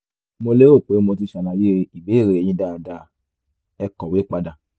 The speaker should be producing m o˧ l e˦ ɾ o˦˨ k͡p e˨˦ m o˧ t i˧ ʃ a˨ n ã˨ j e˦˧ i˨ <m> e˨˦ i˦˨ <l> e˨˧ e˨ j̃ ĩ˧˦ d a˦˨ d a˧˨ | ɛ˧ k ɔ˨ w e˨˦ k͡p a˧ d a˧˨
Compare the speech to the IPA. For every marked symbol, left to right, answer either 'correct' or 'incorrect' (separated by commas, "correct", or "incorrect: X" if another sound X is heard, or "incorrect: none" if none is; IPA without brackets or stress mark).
incorrect: b, incorrect: ɾ